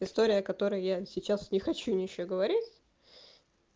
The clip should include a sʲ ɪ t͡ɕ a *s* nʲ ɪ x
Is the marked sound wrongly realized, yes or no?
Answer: no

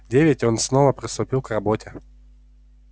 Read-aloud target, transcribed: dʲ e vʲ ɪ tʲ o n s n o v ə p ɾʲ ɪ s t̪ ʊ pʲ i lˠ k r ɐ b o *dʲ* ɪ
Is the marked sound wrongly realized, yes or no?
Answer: yes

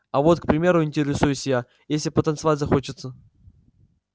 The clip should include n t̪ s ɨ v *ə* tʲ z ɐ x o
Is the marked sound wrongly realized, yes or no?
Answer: yes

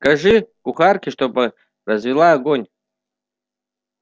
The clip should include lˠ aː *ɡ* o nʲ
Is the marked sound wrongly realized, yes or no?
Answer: no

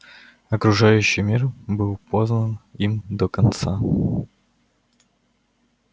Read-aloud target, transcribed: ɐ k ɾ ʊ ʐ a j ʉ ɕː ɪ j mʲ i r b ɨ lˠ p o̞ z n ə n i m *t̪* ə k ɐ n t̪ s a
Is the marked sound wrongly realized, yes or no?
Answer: yes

